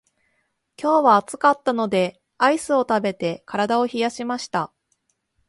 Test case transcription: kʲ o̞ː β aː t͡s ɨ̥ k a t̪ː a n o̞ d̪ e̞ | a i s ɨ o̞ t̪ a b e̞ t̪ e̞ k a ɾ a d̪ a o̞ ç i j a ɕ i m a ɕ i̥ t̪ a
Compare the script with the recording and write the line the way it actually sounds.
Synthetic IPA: kʲ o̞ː β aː t͡s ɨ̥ k a t̪ː a n o̞ d̪ e̞ | a i s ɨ o̞ t̪ a b e̞ t̪ e̞ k a ɾ a d̪ a o̞ ç i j a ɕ i m a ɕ i̥ t̪ a